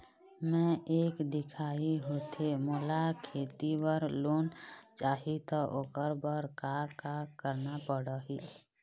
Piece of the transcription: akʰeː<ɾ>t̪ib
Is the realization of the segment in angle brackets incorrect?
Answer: yes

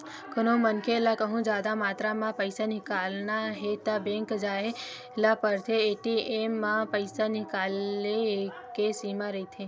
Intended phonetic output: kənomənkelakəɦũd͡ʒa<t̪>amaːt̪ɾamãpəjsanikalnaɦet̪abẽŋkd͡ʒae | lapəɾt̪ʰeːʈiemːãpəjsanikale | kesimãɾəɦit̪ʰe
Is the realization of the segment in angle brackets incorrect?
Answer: yes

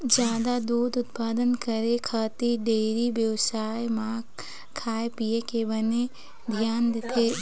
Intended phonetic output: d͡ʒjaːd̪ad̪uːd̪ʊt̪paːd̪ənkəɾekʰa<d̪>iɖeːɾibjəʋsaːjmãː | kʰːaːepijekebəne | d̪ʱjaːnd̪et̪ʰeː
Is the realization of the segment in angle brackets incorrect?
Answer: yes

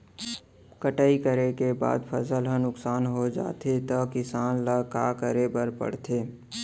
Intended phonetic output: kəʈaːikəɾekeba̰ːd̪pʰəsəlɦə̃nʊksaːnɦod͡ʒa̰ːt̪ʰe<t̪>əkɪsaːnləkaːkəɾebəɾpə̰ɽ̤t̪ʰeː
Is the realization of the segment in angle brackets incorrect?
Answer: no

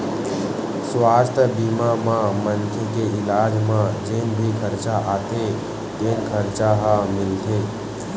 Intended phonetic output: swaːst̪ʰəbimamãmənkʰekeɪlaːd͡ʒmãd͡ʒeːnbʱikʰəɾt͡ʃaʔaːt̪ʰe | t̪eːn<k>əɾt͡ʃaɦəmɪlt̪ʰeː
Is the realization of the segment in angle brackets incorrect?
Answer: yes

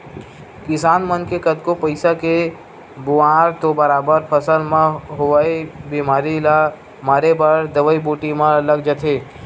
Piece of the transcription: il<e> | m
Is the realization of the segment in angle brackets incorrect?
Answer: yes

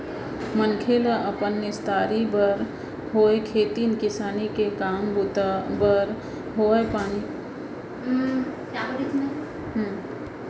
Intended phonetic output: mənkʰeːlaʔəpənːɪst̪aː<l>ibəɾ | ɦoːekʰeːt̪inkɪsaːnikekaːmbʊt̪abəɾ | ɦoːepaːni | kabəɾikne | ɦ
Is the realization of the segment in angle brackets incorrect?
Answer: yes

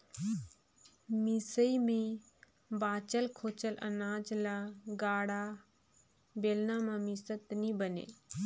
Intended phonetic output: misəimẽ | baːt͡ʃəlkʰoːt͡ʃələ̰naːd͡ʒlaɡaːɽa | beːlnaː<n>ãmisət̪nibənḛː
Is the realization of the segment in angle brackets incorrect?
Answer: yes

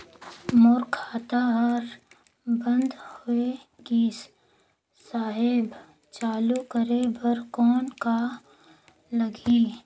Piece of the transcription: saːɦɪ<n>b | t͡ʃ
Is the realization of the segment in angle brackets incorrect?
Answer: yes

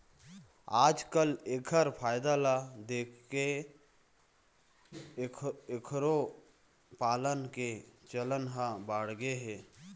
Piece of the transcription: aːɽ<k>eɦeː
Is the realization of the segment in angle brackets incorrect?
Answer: yes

